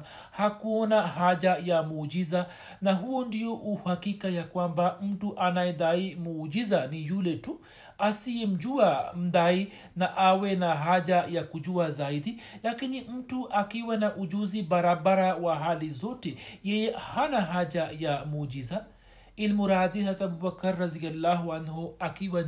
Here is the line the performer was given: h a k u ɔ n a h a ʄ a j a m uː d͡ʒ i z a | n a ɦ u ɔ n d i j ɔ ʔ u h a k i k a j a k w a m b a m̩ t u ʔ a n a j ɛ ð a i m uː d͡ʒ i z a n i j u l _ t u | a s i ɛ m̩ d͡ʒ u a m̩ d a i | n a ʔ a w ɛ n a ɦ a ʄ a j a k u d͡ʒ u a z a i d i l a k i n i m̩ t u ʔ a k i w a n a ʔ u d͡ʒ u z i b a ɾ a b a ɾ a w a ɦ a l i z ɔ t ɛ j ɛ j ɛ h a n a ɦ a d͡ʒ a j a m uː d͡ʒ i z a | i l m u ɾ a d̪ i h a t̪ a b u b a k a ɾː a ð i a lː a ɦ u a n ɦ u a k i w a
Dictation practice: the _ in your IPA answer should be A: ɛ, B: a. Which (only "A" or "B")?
A